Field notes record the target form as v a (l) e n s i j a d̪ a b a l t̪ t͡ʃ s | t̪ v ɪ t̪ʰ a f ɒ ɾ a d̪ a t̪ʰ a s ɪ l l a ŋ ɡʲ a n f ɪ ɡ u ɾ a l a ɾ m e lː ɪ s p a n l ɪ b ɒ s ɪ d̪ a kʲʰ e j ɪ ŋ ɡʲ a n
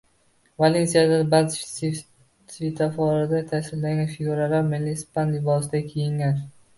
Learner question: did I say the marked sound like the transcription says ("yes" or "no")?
yes